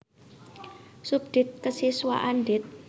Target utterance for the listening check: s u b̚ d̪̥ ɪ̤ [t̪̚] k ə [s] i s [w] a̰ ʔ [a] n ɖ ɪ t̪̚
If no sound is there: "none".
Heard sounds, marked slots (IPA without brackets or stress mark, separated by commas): t̪̚, s, w, a